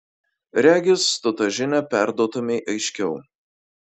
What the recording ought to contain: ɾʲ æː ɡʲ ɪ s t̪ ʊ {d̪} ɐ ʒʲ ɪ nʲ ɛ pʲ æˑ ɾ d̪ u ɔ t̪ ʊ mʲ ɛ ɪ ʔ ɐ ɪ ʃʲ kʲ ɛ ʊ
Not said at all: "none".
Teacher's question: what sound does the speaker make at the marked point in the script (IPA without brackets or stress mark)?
t̪